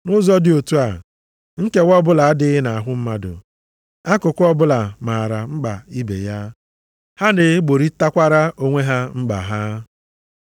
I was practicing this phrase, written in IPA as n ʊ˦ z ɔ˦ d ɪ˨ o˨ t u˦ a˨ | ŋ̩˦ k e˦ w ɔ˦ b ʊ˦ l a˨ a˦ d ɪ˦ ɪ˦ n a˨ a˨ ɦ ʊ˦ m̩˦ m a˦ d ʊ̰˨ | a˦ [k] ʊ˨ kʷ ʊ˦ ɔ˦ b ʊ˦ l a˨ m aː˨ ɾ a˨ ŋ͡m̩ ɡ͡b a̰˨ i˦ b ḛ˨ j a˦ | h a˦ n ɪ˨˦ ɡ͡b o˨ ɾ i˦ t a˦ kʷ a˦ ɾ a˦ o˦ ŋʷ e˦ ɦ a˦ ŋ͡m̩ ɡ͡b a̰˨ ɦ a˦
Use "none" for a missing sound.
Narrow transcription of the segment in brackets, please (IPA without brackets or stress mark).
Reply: k